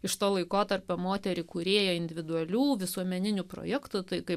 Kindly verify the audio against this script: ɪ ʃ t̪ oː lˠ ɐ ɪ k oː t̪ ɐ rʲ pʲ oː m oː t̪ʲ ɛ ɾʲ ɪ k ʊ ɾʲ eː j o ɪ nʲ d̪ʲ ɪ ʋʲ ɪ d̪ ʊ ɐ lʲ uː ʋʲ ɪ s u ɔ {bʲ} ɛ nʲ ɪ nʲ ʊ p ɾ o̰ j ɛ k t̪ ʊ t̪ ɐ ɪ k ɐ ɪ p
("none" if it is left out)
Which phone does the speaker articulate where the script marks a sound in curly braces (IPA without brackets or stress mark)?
mʲ